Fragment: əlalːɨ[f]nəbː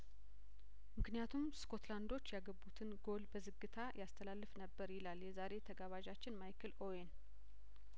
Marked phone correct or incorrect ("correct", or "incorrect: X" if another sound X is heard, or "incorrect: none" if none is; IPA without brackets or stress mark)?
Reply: correct